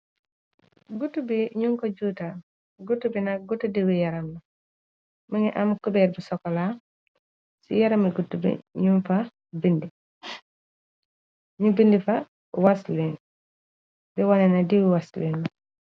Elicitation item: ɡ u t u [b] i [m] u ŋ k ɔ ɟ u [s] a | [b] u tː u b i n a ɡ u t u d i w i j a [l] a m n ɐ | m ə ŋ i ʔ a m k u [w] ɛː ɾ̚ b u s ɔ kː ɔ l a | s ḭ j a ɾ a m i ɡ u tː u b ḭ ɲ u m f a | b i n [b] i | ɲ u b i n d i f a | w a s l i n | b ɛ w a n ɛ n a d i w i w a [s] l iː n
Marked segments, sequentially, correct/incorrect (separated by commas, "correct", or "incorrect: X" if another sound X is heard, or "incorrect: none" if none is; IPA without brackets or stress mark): correct, incorrect: ɲ, incorrect: t, incorrect: ɡ, incorrect: ɾ, incorrect: b, incorrect: d, correct